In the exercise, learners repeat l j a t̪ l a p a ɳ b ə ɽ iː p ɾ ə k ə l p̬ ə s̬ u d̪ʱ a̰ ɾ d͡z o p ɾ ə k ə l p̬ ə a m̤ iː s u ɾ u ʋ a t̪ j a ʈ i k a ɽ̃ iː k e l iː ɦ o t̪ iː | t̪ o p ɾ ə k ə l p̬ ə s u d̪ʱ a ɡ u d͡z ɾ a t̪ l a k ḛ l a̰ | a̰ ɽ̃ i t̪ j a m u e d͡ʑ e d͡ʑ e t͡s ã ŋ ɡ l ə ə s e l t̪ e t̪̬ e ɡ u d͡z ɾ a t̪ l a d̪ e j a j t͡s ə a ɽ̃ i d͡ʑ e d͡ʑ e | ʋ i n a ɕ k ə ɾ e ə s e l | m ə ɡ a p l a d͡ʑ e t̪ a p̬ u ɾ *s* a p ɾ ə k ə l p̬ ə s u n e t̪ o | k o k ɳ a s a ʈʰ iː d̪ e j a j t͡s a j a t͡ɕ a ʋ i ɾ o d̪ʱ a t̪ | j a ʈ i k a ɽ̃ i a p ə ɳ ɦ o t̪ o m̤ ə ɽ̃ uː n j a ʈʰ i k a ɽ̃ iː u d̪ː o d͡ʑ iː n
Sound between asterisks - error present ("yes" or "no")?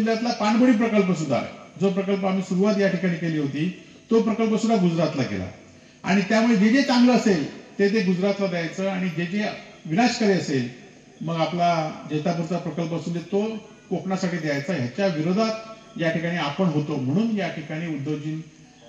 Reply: yes